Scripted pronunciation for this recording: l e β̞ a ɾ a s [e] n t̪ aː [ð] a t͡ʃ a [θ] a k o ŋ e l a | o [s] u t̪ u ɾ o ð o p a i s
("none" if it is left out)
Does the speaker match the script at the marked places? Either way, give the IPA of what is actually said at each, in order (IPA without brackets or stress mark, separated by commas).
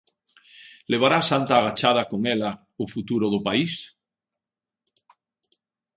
a, ɣ, ð, f